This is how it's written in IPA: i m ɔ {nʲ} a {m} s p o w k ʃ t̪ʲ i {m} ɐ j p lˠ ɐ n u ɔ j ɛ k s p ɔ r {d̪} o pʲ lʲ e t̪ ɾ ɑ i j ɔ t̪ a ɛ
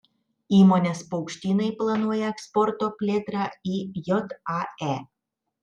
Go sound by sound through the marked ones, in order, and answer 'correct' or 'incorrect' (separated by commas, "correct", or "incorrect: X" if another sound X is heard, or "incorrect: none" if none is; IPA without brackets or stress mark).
correct, incorrect: none, incorrect: n, incorrect: t̪